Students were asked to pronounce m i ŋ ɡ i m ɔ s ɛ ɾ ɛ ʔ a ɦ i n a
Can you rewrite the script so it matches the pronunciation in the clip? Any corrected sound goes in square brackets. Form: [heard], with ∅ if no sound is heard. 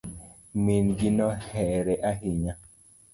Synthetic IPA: m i [n] ɡ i [n] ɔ [h] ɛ ɾ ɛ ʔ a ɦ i [ɲ] a